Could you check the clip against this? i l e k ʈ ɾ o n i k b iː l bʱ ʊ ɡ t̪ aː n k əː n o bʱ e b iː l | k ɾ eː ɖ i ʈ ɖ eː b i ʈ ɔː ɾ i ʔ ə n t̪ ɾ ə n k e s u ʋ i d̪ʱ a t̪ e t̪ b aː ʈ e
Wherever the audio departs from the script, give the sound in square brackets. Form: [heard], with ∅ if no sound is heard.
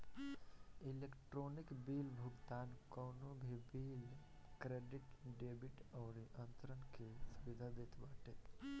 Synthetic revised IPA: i l e k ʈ ɾ o n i k b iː l bʱ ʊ ɡ t̪ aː n k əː n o bʱ [i] b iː l | k ɾ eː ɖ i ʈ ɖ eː b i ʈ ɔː ɾ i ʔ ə n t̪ ɾ ə n k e s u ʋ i d̪ʱ a [d̪] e t̪ b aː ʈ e